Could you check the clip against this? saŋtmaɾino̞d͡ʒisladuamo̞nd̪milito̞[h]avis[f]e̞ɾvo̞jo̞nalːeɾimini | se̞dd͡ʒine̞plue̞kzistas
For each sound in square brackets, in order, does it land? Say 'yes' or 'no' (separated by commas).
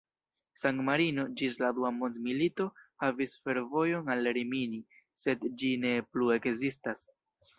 yes, yes